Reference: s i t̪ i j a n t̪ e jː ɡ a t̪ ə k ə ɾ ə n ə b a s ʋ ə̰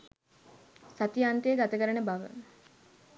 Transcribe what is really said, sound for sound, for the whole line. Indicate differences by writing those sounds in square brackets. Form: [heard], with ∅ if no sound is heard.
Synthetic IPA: s [a] t̪ i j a n t̪ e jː ɡ a t̪ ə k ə ɾ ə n ə b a [∅] ʋ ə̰